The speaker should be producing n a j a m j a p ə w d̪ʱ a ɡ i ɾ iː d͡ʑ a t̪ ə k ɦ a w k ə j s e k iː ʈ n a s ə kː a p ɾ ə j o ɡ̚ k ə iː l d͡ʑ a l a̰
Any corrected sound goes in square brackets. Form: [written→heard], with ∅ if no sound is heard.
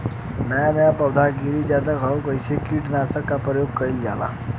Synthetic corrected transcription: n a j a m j a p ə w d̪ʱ a ɡ i ɾ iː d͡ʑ a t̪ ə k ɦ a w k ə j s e k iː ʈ n a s ə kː a p ɾ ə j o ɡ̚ k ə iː l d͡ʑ a l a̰